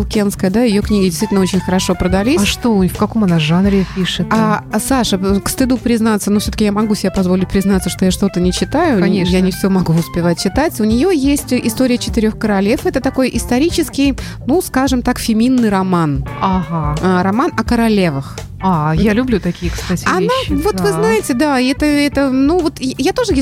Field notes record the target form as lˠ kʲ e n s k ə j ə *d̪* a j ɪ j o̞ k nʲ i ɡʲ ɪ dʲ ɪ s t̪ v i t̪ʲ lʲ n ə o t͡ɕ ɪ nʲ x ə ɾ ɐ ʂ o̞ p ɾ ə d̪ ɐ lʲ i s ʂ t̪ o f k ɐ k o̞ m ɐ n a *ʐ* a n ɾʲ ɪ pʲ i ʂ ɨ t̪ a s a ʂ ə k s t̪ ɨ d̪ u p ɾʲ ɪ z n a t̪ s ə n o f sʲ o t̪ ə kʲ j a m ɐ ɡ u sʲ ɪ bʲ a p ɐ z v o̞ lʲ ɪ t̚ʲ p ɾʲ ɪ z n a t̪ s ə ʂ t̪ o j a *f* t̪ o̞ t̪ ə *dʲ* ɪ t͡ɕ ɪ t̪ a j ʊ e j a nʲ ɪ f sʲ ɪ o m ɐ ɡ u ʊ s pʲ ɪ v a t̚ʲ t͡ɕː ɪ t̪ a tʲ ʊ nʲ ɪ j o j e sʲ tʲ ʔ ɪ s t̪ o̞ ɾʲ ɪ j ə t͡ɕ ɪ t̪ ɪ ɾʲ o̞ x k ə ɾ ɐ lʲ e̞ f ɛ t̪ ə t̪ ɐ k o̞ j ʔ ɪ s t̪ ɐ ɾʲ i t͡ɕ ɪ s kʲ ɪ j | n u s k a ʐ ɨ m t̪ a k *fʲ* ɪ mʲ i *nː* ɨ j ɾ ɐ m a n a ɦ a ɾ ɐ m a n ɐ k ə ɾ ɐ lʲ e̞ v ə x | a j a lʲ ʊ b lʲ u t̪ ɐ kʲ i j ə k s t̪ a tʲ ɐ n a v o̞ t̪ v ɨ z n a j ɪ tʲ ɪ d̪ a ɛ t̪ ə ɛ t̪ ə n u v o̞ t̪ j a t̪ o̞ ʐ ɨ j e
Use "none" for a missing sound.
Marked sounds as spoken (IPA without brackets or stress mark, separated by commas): d̪, ʐ, ʂ, nʲ, fʲ, nː